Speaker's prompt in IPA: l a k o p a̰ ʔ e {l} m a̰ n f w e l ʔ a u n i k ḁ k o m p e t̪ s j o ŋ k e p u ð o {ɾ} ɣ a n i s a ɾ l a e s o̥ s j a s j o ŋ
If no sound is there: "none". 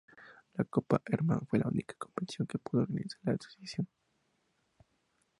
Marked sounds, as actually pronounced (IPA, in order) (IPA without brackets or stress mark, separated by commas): ɾ, ɾ